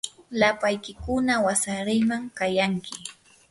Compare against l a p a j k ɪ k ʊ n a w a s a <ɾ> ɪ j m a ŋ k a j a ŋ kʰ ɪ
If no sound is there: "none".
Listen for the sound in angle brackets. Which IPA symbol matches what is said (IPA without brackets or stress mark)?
ɾ